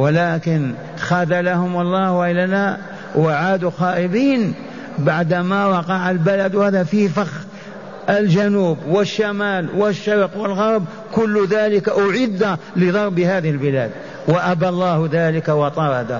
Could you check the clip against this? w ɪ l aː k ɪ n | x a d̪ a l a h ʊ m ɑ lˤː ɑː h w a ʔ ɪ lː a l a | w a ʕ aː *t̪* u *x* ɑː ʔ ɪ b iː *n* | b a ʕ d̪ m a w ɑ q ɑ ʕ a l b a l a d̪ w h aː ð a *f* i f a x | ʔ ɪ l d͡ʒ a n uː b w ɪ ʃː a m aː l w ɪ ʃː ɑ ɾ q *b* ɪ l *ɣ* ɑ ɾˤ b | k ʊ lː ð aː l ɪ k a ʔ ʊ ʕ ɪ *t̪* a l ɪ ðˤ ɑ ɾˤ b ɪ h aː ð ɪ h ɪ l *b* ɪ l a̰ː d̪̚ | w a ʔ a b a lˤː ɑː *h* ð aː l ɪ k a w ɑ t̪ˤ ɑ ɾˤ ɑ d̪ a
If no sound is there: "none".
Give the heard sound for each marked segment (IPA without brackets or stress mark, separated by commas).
d̪, x, n, f, w, ɣ, d̪, b, h